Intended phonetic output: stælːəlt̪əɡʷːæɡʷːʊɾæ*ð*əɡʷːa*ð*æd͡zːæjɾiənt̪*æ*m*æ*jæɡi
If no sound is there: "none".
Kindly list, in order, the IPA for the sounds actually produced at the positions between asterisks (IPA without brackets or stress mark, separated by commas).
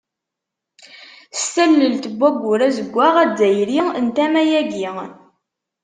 z, ʁ, æ, æ